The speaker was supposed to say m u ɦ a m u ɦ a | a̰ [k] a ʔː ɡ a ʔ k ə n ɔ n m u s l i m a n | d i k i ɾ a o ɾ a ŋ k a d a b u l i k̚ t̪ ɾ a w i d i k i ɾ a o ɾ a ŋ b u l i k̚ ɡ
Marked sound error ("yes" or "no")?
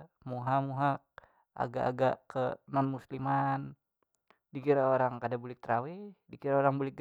yes